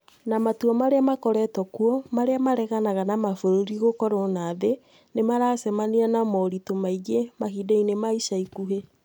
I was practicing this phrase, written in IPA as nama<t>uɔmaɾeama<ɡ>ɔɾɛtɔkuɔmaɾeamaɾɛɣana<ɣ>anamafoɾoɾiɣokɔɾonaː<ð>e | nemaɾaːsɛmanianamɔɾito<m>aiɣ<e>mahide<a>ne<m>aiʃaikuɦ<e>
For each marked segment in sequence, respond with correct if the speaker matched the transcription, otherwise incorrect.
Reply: correct, incorrect: k, correct, correct, correct, correct, incorrect: i, correct, correct

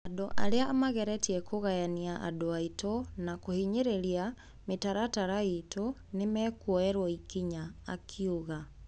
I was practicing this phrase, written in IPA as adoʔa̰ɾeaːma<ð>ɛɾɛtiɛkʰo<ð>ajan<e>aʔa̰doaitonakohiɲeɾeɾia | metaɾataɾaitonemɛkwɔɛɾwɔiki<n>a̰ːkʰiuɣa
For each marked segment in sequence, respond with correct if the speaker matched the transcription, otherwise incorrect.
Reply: incorrect: ɣ, incorrect: ɣ, incorrect: i, incorrect: ɲ

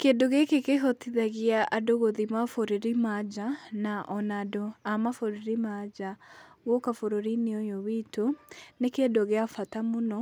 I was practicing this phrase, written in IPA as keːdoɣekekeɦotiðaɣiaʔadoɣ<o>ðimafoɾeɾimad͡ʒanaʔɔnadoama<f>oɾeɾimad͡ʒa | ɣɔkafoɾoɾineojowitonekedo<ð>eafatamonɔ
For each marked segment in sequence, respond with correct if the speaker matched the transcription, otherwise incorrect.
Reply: correct, correct, incorrect: ɣ

